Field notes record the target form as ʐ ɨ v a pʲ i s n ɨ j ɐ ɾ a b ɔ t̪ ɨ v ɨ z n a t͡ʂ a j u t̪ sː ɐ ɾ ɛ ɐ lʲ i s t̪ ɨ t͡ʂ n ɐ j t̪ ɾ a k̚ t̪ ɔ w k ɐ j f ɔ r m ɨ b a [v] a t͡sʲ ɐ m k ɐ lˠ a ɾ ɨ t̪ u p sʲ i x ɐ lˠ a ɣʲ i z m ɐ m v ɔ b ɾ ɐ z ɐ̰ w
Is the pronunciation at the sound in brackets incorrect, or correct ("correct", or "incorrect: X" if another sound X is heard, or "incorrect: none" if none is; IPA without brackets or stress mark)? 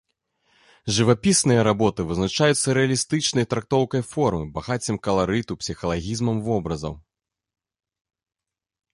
incorrect: ɣ